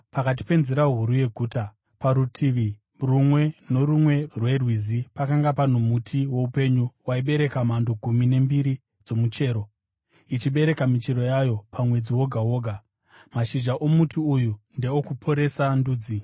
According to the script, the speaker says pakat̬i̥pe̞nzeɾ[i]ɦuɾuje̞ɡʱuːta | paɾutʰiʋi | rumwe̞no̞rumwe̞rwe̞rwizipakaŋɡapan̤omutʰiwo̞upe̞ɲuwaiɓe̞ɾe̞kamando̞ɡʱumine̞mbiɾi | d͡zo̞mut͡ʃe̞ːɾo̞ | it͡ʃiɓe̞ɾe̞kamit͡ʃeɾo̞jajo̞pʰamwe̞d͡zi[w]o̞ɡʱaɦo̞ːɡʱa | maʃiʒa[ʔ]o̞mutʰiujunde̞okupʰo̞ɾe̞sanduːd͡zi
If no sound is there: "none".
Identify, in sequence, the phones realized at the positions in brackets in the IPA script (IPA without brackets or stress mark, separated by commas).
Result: a, w, ʔ